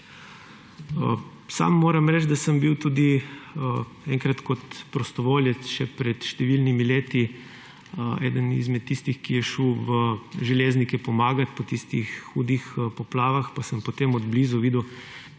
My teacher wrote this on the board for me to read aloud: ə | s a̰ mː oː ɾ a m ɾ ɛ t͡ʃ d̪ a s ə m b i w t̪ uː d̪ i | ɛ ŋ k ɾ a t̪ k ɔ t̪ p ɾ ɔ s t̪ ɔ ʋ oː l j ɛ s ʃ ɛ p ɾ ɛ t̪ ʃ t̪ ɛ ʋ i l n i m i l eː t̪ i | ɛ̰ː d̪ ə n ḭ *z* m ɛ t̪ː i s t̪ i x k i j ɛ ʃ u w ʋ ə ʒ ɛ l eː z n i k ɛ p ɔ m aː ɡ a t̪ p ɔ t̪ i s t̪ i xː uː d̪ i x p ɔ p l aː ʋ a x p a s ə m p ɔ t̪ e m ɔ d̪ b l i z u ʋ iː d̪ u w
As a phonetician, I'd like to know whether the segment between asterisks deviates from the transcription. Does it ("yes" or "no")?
no